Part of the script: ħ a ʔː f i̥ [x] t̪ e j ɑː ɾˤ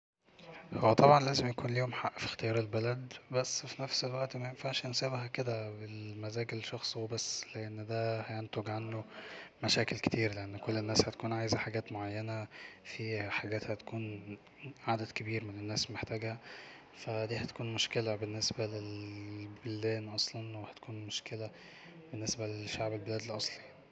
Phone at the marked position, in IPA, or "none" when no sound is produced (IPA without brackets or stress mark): x